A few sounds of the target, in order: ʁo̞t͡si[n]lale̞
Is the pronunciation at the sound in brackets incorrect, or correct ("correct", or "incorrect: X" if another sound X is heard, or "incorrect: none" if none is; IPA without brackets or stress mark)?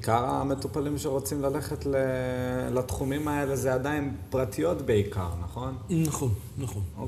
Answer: incorrect: m